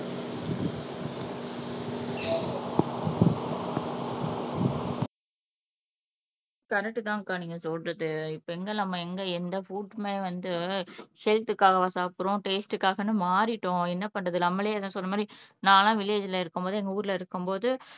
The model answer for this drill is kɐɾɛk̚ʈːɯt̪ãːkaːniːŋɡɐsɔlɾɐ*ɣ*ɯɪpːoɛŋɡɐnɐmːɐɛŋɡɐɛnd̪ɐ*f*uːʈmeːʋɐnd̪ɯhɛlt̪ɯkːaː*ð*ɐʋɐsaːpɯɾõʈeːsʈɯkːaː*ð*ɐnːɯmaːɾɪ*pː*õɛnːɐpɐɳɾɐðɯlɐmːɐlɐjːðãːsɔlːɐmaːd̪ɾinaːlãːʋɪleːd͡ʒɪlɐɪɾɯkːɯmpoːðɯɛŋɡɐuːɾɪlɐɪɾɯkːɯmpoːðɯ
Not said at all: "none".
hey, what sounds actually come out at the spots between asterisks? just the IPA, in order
ð, f, ɣ, ɣ, ʈː

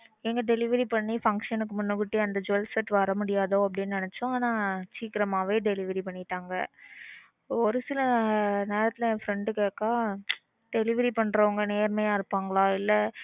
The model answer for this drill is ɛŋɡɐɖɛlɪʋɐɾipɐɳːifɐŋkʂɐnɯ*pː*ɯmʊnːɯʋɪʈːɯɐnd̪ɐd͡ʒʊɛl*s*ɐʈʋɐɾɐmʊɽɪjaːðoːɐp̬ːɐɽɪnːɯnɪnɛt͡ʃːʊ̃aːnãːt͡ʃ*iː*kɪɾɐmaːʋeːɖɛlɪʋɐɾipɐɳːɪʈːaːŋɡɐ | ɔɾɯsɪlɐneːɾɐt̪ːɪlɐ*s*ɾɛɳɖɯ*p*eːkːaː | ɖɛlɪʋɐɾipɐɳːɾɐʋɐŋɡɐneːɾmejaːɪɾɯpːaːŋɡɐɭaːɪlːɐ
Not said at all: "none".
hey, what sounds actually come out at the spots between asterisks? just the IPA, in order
kː, s, iː, f, k

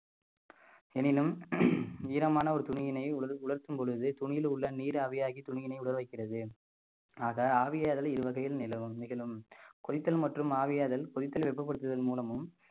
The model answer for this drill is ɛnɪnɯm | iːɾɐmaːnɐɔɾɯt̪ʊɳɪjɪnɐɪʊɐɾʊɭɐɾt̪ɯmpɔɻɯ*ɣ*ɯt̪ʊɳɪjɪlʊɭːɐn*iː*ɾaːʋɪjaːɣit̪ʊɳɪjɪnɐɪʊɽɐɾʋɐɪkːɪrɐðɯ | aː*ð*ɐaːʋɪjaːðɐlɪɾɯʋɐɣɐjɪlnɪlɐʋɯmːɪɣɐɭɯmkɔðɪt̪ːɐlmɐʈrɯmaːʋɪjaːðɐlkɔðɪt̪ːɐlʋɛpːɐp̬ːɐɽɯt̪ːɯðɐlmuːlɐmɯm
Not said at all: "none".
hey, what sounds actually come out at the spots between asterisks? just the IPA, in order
ð, iː, ɣ

